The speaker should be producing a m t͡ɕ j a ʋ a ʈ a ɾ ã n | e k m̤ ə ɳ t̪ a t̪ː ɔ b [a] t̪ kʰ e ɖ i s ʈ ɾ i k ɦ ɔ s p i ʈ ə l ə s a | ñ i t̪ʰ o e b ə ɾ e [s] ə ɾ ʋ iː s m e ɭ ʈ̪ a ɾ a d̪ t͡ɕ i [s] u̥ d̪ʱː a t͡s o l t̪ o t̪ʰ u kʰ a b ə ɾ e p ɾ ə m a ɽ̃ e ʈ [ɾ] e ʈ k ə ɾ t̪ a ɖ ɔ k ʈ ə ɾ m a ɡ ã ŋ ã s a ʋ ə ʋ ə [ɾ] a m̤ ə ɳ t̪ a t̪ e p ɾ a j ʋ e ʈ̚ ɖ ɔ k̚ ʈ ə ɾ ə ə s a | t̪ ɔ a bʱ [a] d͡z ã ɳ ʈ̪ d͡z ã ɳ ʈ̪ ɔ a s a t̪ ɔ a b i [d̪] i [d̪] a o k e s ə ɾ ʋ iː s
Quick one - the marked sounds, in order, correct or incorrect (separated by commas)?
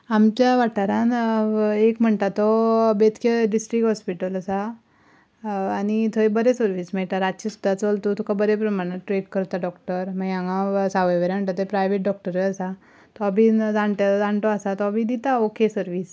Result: incorrect, correct, correct, correct, correct, incorrect, correct, incorrect